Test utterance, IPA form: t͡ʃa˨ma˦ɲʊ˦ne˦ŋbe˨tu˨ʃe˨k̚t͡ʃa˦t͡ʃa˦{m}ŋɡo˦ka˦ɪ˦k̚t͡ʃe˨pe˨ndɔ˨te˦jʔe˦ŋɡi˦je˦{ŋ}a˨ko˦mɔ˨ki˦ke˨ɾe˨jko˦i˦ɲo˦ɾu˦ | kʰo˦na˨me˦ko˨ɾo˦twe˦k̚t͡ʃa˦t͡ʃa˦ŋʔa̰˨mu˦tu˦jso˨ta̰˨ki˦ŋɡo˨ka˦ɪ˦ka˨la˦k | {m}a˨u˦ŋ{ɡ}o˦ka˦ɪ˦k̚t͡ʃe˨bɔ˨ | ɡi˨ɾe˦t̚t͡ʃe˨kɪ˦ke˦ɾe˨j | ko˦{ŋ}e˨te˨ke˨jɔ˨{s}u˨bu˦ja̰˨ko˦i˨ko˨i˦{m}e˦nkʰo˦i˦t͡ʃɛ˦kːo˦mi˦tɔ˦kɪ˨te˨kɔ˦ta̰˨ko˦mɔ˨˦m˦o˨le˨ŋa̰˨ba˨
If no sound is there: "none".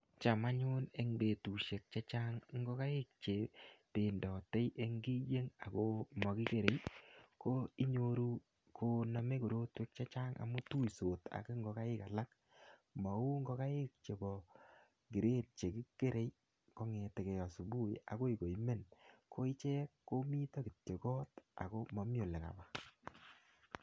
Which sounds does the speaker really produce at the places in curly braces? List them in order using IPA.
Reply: ŋ, ŋ, m, ɡ, ŋ, s, m

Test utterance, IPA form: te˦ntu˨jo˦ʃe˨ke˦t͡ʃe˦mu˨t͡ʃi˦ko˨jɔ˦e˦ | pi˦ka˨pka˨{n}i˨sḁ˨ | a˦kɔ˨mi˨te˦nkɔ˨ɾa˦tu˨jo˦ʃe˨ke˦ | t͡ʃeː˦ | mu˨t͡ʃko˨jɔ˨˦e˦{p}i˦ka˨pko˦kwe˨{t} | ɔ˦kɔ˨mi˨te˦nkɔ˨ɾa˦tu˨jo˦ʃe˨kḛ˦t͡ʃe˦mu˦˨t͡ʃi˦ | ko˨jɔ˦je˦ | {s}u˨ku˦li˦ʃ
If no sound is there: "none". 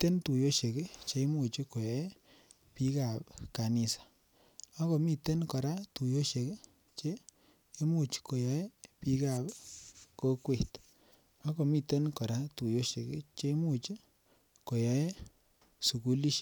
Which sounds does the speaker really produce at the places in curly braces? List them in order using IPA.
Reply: n, p, t, s

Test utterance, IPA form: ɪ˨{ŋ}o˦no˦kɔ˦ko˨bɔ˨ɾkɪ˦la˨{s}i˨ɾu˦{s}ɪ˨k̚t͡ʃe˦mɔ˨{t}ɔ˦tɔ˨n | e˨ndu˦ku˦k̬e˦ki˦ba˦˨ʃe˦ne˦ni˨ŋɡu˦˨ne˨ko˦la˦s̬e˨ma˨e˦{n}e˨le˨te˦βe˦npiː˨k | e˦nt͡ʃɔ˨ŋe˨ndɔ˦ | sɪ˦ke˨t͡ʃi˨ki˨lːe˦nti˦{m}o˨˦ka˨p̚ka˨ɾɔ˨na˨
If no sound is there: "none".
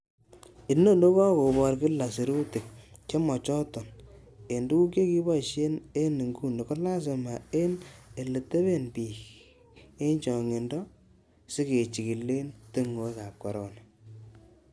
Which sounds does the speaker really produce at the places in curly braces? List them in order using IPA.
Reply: n, s, t, t͡ʃ, n, ŋ

